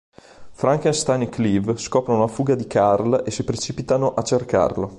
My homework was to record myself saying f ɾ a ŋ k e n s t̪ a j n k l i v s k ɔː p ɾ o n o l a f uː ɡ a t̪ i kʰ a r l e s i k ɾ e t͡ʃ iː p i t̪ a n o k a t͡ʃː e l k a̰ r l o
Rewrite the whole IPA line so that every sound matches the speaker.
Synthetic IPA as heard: f ɾ a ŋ k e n s t̪ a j n k l i v s k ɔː p ɾ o n o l a f uː ɡ a d̪ i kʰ a r l e s i p ɾ e t͡ʃ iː p i t̪ a n o ʔ a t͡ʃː e r k a̰ r l o

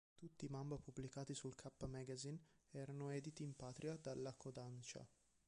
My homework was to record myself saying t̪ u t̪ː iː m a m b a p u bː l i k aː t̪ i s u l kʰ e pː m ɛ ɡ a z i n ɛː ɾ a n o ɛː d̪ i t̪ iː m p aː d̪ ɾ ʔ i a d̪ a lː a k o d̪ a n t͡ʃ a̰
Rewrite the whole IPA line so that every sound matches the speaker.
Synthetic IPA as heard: t̪ u t̪ː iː m a m b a p u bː l i k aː t̪ i s u l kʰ a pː m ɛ ɡ a z i n ɛː ɾ a n o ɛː d̪ i t̪ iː m p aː t̪ ɾ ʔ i a d̪ a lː a k o d̪ a n t͡ʃ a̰

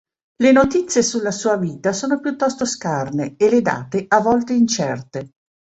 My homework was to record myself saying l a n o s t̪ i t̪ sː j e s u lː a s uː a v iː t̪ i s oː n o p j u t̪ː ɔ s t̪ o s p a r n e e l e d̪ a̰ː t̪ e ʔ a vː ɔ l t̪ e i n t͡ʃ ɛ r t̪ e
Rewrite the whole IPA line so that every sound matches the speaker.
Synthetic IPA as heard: l e n o t̪ i t̪ sː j e s u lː a s uː a v iː t̪ a s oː n o p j u t̪ː ɔ s t̪ o s k a r n e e l e d̪ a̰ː t̪ e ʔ a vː ɔ l t̪ e i n t͡ʃ ɛ r t̪ e

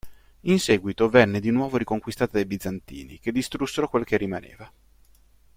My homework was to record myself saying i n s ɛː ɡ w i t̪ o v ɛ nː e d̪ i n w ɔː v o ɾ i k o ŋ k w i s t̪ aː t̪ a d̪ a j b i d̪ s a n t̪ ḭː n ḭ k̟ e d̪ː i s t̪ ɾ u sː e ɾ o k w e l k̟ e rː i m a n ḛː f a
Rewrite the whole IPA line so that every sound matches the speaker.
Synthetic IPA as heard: i n s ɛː ɡ w i t̪ o v ɛ nː e d̪ i n w ɔː v o ɾ i k o ŋ k w i s t̪ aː t̪ a d̪ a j b i d̪ z a n t̪ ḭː n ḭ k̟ e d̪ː i s t̪ ɾ u sː e ɾ o k w e l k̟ e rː i m a n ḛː v a

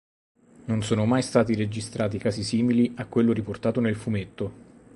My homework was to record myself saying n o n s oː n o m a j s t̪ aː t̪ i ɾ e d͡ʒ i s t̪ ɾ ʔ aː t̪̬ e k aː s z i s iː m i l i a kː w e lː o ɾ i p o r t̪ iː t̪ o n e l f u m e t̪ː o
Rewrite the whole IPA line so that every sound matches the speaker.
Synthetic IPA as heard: n o n s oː n o m a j s t̪ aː t̪ i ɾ e d͡ʒ i s t̪ ɾ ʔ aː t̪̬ i k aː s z i s iː m i l i a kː w e lː o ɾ i p o r t̪ aː t̪ o n e l f u m e t̪ː o

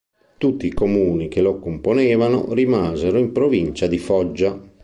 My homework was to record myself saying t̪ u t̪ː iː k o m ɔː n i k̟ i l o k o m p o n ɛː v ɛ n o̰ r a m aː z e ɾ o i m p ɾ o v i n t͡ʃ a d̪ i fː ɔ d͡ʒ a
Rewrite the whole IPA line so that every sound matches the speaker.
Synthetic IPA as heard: t̪ u t̪ː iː k o m uː n i k̟ e l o k o m p o n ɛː v a n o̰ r i m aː z e ɾ o i m p ɾ o v i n t͡ʃ a d̪ i f ɔ d͡ʒː a

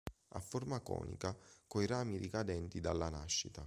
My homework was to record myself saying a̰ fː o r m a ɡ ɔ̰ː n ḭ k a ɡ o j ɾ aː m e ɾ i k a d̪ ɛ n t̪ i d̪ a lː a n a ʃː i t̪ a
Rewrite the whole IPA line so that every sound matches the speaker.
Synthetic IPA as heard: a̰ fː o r m a k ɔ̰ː n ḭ k a k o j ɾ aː m i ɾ i k a d̪ ɛ n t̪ i d̪ a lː a n a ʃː i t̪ a

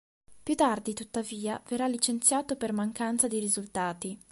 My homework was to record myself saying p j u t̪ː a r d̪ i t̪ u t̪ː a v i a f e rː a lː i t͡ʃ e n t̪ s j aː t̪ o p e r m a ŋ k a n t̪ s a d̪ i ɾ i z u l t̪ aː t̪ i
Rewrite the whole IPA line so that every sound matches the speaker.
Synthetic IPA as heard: p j u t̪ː a r d̪ i t̪ u t̪ː a v iː a v e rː a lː i t͡ʃ e n t̪ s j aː t̪ o p e r m a ŋ k a n t̪ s a d̪ i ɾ i z u l t̪ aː t̪ i

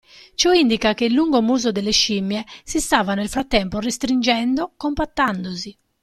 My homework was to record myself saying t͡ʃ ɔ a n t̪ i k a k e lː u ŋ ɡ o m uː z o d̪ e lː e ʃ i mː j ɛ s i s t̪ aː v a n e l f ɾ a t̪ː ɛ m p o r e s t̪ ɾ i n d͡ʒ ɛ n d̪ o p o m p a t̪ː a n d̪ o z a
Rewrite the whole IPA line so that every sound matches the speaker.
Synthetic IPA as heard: t͡ʃ ɔ i n d̪ i k a k e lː u ŋ ɡ o m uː z o d̪ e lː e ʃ i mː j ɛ s i s t̪ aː v a n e l f ɾ a t̪ː ɛ m p o r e s t̪ ɾ i n d͡ʒ ɛ n d̪ o k o m p a t̪ː a n d̪ o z i

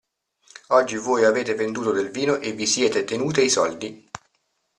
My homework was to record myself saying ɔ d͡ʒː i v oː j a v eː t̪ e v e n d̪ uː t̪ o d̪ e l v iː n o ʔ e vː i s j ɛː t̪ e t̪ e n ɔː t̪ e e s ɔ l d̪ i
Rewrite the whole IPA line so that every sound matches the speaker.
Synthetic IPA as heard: ɔ d͡ʒː i v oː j a v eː t̪ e v e n d̪ uː t̪ o d̪ e l v iː n o ʔ e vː i s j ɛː t̪ e t̪ e n uː t̪ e i s ɔ l d̪ i

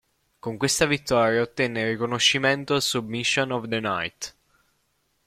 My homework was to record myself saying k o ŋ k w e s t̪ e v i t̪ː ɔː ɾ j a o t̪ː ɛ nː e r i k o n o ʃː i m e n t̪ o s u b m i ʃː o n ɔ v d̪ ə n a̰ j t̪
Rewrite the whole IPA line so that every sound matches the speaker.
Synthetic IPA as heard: k o ŋ k w e s t̪ a v i t̪ː ɔː ɾ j a o t̪ː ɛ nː e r i k o n o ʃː i m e n t̪ o s u b m i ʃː o n ɔ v d̪ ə n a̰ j t̪

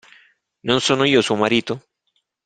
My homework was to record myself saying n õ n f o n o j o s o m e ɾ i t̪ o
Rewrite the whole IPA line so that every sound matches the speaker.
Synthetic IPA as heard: n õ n s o n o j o s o m a ɾ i t̪ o

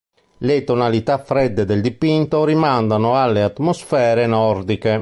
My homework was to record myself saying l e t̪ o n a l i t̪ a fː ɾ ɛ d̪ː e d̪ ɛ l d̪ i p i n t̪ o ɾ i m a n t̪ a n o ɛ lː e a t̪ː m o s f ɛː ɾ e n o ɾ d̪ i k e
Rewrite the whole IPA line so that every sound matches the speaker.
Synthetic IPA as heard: l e t̪ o n a l i t̪ a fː ɾ ɛ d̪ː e d̪ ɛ l d̪ i p i n t̪ o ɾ i m a n d̪ a n o a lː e a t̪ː m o s f ɛː ɾ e n ɔ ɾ d̪ i k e

